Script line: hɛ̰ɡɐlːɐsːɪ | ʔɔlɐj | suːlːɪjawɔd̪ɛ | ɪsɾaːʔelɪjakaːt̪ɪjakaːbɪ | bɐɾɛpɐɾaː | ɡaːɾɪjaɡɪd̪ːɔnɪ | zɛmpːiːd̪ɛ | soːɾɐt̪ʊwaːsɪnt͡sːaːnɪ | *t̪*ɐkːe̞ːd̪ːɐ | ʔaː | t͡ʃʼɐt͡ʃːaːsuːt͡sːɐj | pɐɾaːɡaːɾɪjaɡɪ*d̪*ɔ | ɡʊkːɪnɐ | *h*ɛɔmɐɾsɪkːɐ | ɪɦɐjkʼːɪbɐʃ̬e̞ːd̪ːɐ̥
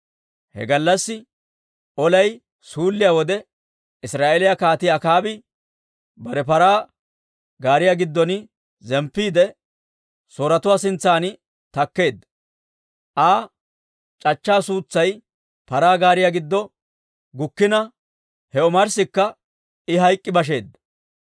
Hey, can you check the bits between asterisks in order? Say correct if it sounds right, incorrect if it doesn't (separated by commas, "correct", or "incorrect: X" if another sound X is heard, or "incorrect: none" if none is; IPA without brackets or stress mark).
correct, incorrect: d̪ː, correct